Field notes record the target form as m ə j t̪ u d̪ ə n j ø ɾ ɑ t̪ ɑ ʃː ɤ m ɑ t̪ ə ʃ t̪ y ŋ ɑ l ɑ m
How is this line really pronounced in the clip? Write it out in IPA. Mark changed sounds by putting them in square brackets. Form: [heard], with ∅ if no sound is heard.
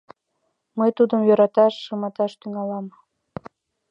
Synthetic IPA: m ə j t̪ u d̪ ə [m] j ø ɾ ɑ t̪ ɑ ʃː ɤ m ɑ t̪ [ɑ] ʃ t̪ y ŋ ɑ l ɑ m